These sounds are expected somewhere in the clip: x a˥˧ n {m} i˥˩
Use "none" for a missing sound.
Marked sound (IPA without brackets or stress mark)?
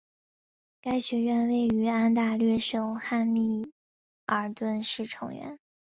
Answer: m